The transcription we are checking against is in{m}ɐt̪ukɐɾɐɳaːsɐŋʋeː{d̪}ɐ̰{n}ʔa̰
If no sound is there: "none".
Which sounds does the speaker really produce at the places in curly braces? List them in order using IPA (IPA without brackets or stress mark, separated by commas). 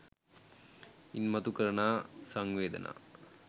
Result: m, d̪, n